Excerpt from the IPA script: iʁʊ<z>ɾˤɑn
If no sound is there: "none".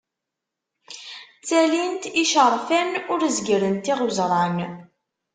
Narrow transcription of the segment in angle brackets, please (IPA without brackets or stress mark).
z